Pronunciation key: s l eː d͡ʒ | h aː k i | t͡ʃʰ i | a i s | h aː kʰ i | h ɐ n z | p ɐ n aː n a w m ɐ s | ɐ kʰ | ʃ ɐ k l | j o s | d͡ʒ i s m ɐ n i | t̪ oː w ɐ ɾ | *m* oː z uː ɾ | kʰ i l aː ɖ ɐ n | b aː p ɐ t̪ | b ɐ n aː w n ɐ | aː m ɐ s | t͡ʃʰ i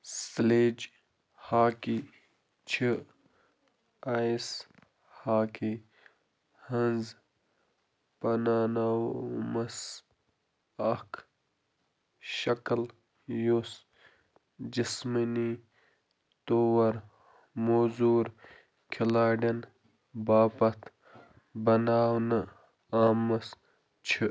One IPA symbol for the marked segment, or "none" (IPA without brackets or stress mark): m